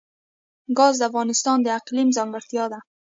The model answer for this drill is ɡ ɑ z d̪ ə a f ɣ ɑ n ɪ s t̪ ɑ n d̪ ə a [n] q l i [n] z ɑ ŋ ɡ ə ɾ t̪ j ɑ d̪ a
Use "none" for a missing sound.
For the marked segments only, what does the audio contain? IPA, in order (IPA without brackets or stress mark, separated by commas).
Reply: none, m